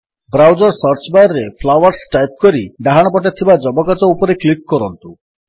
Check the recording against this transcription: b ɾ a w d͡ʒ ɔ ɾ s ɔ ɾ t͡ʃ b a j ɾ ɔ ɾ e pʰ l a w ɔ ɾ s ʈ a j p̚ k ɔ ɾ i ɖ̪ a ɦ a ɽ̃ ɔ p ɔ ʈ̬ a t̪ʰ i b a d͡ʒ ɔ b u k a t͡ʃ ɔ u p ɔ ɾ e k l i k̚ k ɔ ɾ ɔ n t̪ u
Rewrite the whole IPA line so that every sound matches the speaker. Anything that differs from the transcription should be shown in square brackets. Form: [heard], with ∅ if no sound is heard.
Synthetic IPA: b ɾ a w d͡ʒ ɔ ɾ s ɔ ɾ t͡ʃ b a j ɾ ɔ ɾ e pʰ l a w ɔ ɾ s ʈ a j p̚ k ɔ ɾ i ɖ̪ a ɦ a ɽ̃ ɔ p ɔ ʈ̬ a t̪ʰ i b a d͡ʒ ɔ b [ɔ] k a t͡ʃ ɔ u p ɔ ɾ e k l i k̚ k ɔ ɾ ɔ n t̪ u